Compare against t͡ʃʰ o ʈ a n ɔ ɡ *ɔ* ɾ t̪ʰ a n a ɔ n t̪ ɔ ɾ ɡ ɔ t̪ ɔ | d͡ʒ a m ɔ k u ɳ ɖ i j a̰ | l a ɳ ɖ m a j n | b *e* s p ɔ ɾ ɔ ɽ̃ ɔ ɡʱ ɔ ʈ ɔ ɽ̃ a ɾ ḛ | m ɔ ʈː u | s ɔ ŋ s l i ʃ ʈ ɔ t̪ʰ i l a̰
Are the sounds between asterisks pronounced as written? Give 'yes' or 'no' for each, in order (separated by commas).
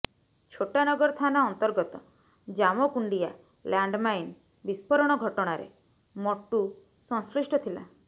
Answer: yes, no